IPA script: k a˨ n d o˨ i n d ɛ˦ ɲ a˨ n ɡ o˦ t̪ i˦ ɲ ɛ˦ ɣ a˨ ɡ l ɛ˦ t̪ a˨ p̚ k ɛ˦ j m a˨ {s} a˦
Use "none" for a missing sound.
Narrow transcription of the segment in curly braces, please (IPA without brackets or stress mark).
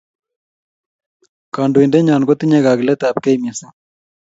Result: s